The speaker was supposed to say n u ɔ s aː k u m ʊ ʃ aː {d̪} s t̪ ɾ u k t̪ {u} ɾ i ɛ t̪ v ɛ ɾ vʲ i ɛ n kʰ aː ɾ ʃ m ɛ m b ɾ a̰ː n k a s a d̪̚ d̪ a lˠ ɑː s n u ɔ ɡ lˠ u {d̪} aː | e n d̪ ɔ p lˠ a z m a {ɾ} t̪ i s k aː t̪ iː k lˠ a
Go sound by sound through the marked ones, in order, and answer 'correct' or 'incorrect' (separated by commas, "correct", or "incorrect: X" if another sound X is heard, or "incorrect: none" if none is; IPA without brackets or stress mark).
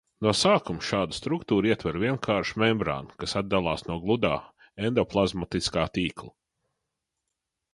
correct, incorrect: uː, correct, incorrect: none